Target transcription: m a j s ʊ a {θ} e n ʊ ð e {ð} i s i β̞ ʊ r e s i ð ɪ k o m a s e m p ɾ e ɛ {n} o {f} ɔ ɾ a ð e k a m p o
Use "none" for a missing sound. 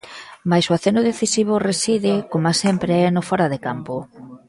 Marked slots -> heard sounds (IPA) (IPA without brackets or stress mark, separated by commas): θ, θ, n, f